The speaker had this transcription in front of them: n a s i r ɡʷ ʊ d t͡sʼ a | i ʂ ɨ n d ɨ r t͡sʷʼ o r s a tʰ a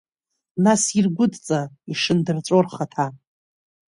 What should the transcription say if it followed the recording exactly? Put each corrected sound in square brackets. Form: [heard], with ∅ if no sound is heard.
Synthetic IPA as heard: n a s i r ɡʷ ʊ d t͡sʼ a | i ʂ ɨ n d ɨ r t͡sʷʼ o r [χ] a tʰ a